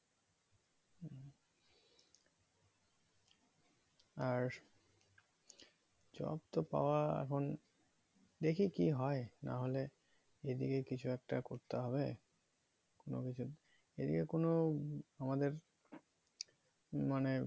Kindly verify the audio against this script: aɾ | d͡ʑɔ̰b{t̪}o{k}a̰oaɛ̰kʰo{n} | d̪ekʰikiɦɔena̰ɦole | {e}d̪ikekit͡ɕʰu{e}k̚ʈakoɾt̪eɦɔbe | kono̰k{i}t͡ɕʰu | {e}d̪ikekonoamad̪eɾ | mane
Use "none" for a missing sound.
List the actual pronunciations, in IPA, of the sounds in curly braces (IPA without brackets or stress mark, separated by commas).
t̪, p, n, e, ɛ, i, e